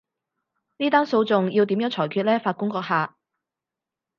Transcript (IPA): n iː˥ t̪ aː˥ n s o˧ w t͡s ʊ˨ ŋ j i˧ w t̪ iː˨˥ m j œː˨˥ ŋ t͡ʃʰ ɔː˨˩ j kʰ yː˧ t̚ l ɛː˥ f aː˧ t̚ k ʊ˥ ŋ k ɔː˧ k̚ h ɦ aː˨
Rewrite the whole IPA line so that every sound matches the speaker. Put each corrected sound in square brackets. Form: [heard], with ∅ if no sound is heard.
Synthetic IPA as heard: n iː˥ t̪ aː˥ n s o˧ w t͡s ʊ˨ ŋ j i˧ w t̪ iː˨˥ m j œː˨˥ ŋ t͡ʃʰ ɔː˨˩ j kʰ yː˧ t̚ l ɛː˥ f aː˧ t̚ k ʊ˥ ŋ k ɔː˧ k̚ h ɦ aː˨